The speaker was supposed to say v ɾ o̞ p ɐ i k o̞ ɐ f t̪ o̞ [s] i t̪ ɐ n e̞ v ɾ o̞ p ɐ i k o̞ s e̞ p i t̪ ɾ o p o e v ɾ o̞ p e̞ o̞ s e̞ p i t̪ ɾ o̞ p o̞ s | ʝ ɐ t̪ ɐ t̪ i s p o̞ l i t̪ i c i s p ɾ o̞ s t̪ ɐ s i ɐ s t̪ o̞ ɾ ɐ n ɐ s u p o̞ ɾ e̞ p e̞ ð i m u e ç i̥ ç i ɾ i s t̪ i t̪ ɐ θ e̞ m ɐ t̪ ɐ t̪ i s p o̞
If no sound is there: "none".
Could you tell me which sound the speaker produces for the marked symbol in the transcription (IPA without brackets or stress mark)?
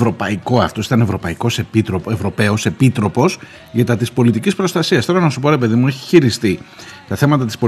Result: s